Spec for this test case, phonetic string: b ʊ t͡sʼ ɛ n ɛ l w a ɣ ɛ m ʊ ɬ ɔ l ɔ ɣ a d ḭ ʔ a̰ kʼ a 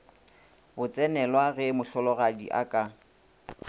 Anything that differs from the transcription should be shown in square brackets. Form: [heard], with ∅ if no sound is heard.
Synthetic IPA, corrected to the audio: b ʊ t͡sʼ ɛ n ɛ l w a ɣ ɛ m ʊ ɬ ɔ l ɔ ɣ a d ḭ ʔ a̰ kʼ a

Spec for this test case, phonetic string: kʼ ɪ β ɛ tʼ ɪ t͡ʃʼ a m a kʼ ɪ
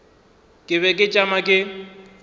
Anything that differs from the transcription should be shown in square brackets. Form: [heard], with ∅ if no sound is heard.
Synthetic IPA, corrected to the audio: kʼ ɪ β ɛ [kʼ] ɪ t͡ʃʼ a m a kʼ ɪ

